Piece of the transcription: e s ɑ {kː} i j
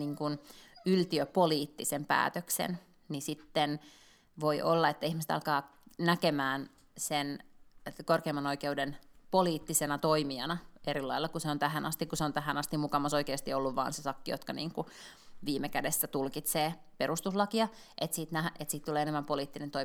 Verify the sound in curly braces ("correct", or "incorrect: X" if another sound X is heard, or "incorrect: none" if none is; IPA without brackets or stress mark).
correct